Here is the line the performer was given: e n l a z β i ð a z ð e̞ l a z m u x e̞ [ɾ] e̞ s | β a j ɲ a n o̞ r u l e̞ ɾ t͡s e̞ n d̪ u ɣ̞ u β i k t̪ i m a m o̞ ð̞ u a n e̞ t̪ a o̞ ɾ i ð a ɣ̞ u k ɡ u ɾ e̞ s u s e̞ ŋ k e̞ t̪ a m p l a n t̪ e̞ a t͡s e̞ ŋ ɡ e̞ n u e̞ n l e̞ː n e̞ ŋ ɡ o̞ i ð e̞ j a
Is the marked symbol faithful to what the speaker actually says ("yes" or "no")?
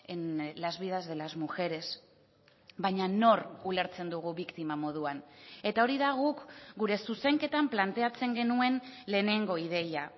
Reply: yes